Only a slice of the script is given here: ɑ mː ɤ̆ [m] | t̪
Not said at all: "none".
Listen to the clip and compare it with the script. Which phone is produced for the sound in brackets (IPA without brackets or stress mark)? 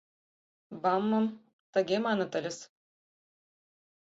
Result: m